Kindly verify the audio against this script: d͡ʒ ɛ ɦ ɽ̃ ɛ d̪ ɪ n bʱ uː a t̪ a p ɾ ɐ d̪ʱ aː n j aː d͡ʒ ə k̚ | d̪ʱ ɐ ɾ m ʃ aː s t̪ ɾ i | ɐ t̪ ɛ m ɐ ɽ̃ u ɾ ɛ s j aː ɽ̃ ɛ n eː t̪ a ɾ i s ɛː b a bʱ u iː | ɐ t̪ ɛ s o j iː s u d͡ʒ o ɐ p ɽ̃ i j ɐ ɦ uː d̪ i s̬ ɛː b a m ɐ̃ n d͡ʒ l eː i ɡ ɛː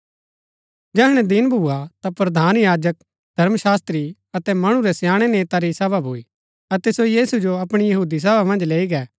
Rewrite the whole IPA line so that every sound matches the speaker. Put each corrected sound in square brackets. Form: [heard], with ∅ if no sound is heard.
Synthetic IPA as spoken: d͡ʒ ɛ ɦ ɽ̃ ɛ d̪ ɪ n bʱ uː a t̪ a p ɾ ɐ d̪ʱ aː n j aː d͡ʒ ə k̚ | d̪ʱ ɐ ɾ m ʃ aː s t̪ ɾ i | ɐ t̪ ɛ m ɐ ɽ̃ u ɾ ɛ s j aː ɽ̃ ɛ n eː t̪ a ɾ i s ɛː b a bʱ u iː | ɐ t̪ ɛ s o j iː s u d͡ʒ o ɐ p ɽ̃ i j ɐ ɦ uː d̪ i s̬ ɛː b a m ɐ̃ n d͡ʒ l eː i ɡ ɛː